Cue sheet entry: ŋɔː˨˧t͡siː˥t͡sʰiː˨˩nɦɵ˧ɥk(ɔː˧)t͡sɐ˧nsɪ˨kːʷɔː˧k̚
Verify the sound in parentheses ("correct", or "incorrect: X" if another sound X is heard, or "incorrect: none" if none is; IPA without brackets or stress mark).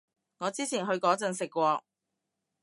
incorrect: ɔː˨˥